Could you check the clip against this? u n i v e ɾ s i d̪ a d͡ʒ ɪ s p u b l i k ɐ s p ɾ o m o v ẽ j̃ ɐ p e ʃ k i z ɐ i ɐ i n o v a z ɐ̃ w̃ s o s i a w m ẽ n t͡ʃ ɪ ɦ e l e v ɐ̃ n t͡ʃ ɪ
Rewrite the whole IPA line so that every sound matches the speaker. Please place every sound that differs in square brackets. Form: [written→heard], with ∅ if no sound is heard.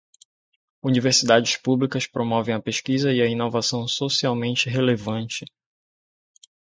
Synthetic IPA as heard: u n i v e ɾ s i d̪ a d͡ʒ ɪ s p u b l i k ɐ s p ɾ o m [o→ɔ] v ẽ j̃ ɐ p e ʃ k i z ɐ i ɐ i n o v a [z→s] ɐ̃ w̃ s o s i a w m ẽ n t͡ʃ ɪ ɦ e l e v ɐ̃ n t͡ʃ ɪ